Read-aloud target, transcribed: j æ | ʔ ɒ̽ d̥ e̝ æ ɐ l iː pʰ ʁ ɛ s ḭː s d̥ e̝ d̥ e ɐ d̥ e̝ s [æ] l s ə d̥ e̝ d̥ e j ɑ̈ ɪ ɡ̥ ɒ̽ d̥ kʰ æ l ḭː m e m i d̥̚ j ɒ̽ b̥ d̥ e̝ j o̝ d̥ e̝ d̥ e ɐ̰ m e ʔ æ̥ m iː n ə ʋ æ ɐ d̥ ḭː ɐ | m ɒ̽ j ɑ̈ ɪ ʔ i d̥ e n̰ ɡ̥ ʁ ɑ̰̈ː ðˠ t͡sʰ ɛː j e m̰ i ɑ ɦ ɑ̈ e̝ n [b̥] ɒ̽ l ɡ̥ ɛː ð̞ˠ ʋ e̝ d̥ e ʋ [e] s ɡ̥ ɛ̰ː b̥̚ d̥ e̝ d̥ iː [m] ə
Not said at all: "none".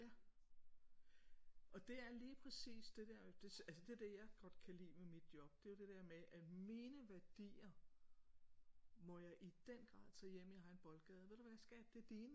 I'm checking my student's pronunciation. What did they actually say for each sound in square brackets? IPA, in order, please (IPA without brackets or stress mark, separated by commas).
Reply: æ, b̥, æ, n